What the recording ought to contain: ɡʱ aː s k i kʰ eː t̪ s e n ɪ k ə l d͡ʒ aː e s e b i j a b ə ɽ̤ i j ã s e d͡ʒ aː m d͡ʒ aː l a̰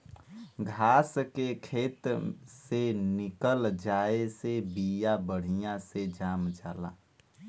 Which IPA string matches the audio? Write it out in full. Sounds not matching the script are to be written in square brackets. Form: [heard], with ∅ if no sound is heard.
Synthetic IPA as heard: ɡʱ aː s k [e] kʰ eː t̪ s e n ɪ k ə l d͡ʒ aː e s e b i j a b ə ɽ̤ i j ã s e d͡ʒ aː m d͡ʒ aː l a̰